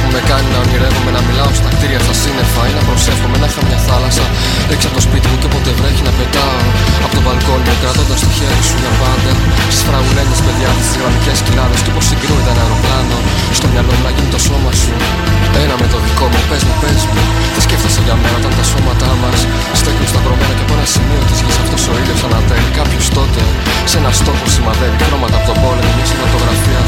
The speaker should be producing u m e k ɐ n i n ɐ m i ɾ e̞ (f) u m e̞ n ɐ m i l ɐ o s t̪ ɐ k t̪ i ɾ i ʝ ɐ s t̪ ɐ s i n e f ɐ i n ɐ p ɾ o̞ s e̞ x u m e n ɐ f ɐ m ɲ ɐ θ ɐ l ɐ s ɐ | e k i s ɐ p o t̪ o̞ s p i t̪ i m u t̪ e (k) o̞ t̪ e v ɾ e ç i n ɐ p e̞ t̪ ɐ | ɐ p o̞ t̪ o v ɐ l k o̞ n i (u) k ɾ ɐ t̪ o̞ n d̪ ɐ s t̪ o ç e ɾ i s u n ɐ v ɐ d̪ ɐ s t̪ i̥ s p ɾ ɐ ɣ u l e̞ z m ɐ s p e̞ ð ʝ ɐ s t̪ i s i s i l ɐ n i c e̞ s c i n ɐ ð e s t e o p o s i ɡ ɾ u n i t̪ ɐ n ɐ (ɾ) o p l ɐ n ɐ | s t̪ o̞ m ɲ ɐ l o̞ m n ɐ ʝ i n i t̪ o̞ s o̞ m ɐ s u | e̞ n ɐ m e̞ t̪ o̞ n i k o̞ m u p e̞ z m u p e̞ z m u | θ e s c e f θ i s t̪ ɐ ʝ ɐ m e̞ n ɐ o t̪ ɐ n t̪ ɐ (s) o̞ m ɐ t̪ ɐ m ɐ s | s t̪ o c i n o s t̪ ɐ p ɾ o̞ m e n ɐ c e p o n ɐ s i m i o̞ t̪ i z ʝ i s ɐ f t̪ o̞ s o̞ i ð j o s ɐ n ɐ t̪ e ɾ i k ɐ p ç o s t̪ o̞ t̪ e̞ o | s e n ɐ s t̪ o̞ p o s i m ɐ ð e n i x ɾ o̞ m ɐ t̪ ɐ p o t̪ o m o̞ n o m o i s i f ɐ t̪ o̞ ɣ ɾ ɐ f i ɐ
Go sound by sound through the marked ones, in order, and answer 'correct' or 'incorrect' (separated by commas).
incorrect, incorrect, incorrect, correct, correct